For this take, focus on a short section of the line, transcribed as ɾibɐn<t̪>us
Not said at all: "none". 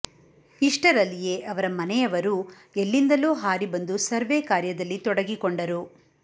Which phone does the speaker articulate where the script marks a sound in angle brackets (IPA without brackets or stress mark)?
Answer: d̪